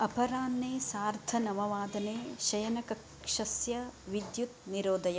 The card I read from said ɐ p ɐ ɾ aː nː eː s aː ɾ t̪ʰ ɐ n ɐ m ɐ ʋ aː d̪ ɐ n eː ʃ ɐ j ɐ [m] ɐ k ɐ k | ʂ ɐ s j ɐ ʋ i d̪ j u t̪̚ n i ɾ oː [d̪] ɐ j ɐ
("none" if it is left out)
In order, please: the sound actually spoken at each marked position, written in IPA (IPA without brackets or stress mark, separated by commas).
n, d̪